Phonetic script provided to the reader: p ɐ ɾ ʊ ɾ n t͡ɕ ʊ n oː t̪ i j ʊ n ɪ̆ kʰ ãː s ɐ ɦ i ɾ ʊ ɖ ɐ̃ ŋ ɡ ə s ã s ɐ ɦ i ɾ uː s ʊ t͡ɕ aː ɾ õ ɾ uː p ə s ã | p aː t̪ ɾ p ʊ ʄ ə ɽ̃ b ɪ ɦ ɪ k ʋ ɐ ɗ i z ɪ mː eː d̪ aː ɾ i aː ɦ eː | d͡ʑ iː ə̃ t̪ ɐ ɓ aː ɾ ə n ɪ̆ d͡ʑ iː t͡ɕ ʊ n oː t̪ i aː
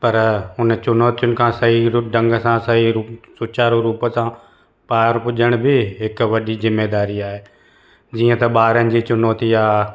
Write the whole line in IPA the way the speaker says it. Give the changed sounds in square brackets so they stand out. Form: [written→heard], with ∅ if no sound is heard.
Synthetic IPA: p ɐ ɾ ʊ [ɾ→∅] n t͡ɕ ʊ n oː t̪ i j ʊ n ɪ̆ kʰ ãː s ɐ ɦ i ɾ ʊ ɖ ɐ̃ ŋ ɡ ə s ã s ɐ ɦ i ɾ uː s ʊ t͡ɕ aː ɾ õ ɾ uː p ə s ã | p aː [t̪→∅] ɾ p ʊ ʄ ə ɽ̃ b ɪ ɦ ɪ k ʋ ɐ ɗ i z ɪ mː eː d̪ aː ɾ i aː ɦ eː | d͡ʑ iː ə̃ t̪ ɐ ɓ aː ɾ ə n ɪ̆ d͡ʑ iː t͡ɕ ʊ n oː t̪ i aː